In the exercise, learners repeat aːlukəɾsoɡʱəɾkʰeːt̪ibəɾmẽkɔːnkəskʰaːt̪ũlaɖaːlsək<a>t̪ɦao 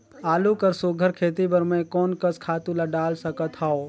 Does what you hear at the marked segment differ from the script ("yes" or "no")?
yes